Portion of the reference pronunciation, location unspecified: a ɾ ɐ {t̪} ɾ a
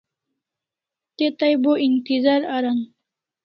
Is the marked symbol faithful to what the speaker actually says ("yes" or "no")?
no